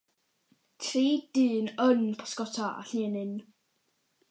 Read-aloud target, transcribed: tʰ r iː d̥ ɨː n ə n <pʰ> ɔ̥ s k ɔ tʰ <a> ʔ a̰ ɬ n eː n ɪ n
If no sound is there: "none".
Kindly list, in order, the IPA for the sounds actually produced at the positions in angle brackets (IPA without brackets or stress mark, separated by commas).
pʰ, a